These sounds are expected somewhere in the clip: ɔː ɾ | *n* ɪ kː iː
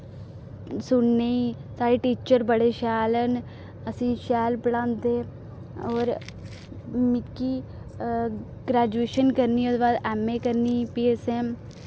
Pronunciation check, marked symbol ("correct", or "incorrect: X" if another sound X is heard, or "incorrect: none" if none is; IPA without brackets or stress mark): incorrect: m